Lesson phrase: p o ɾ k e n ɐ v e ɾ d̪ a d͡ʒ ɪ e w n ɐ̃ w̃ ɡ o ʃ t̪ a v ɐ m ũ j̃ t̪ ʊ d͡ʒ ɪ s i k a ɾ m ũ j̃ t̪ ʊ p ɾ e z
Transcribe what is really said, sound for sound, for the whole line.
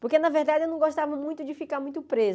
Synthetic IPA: p o ɾ k e n ɐ v e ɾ d̪ a d͡ʒ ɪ e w n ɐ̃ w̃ ɡ o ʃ t̪ a v ɐ m ũ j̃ t̪ ʊ d͡ʒ ɪ f i k a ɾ m ũ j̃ t̪ ʊ p ɾ e z